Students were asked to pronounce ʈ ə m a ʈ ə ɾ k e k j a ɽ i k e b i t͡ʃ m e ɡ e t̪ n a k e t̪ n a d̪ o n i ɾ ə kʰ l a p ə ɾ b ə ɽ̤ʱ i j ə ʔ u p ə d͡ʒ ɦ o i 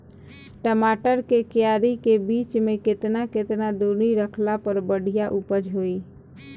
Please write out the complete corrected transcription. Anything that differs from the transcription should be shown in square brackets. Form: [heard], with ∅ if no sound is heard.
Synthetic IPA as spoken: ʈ ə m a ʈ ə ɾ k e k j a [ɾ] i k e b i t͡ʃ m e [k] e t̪ n a k e t̪ n a d̪ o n i ɾ ə kʰ l a p ə ɾ b ə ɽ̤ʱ i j [a] ʔ u p ə d͡ʒ ɦ o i